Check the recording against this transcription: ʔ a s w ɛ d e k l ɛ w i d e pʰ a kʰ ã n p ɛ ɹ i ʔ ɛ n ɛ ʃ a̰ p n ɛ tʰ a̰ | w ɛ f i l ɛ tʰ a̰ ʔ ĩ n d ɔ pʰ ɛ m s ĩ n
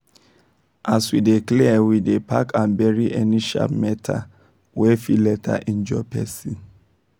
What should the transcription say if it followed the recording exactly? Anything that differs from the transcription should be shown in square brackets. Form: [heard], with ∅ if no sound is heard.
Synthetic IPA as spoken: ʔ a s w [i] d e k l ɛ w i d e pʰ a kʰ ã n [b] ɛ ɹ i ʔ ɛ n [i] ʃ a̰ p [m] ɛ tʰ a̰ | w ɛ f i l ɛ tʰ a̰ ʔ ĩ n [d͡ʒ] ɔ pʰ ɛ [∅] s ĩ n